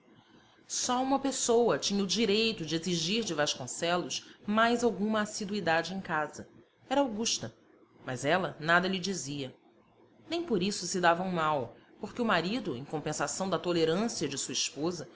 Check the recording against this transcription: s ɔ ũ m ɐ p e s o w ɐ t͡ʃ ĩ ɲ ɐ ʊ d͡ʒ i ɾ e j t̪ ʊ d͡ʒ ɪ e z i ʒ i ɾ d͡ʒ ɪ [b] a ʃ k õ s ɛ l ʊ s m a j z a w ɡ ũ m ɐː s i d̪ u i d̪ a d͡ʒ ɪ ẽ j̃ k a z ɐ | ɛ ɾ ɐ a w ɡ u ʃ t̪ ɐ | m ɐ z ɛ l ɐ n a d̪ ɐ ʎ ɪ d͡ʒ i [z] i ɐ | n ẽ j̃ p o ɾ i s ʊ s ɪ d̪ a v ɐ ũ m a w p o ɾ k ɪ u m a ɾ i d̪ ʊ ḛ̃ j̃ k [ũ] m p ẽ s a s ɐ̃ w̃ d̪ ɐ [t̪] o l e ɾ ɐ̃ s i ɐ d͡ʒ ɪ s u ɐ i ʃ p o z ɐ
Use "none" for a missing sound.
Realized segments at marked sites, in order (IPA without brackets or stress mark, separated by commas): v, z, õ, t̪